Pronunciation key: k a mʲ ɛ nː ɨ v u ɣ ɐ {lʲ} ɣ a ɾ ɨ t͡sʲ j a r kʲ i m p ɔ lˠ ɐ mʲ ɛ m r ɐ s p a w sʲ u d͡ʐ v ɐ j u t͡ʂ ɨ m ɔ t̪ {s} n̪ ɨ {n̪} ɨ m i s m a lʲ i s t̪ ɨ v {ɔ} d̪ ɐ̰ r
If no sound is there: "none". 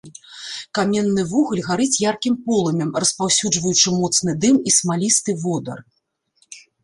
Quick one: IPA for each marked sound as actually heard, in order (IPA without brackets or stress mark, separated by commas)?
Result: lʲ, s, d̪, ɔ